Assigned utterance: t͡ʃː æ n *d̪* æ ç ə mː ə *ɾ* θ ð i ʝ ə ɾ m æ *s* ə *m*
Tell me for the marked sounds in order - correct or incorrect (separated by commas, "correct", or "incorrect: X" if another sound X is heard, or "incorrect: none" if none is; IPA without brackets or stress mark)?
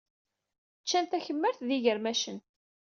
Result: incorrect: t̪, correct, incorrect: ʃ, incorrect: n